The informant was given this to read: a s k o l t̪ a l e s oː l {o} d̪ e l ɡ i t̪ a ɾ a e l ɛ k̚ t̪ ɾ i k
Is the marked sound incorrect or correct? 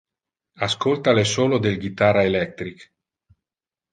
correct